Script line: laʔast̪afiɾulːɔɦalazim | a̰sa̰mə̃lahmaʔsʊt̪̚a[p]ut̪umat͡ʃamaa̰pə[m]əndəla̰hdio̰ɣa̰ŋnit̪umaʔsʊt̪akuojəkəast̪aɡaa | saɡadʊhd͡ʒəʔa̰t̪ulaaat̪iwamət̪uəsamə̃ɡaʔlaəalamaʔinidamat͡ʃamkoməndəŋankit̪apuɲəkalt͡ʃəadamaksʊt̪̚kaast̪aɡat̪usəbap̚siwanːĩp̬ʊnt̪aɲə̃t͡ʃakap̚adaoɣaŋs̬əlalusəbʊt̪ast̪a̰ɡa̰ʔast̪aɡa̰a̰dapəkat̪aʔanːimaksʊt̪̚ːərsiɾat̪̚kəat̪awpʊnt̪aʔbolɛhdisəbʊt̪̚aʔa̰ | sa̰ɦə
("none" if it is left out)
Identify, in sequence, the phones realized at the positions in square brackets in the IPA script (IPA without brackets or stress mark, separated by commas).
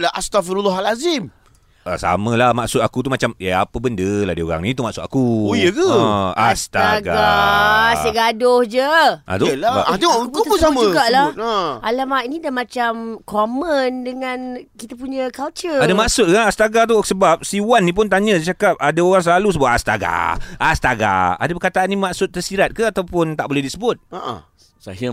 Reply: k, b